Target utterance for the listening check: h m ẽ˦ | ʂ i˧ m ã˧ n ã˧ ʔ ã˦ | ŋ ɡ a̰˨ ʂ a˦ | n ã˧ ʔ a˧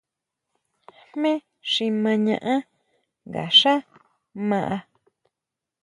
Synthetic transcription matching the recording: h m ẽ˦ | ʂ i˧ m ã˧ ɲ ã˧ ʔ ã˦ | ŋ ɡ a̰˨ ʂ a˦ | m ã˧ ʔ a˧